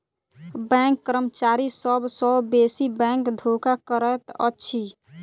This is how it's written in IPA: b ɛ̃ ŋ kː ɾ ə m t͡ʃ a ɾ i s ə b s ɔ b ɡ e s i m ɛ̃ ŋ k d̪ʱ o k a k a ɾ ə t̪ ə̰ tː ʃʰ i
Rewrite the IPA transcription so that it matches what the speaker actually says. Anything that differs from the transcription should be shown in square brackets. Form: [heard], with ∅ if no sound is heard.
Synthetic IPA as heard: b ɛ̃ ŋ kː ɾ ə m t͡ʃ a ɾ i s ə b s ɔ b [b] e s i [b] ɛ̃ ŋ k d̪ʱ o k a k [ə] ɾ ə t̪ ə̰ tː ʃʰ i